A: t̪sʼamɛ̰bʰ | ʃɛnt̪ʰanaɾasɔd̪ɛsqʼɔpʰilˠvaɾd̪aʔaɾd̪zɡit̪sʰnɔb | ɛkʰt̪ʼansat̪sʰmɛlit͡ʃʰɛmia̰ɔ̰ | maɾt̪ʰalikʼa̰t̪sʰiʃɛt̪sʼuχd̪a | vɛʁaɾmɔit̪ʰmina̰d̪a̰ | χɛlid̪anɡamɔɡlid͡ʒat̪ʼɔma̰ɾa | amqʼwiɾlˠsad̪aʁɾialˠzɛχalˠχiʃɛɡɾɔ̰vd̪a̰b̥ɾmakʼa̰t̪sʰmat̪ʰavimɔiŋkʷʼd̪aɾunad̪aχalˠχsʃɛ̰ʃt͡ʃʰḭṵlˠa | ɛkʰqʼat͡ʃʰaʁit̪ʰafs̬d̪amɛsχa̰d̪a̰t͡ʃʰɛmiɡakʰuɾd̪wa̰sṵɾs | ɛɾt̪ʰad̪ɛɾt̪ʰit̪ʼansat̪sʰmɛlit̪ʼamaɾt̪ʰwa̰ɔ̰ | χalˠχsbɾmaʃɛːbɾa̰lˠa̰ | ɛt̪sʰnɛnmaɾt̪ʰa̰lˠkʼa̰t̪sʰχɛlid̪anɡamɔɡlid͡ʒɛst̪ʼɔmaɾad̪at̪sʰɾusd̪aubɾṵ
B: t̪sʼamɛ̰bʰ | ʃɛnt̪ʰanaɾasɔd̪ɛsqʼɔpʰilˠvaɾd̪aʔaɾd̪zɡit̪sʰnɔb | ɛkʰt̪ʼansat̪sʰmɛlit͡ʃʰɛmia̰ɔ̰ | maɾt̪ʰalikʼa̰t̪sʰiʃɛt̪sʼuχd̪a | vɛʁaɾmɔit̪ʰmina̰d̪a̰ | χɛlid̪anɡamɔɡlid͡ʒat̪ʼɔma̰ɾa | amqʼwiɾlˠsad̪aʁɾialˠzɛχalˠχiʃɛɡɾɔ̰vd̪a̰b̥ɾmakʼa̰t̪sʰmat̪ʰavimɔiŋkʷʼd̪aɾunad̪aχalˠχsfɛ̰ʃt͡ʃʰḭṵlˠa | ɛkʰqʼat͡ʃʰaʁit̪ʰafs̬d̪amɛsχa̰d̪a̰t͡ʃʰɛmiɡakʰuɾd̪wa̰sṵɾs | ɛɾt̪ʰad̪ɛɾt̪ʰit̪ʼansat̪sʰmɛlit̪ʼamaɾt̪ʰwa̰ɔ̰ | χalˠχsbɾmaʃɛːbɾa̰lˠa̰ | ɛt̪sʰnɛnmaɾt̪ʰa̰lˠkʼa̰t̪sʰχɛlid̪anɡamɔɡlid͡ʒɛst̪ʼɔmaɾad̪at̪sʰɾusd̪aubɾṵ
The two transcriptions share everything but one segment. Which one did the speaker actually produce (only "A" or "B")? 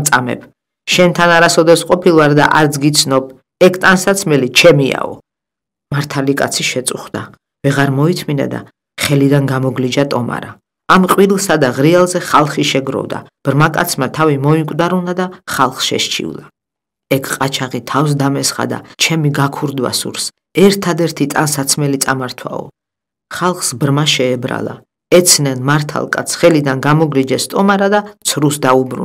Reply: A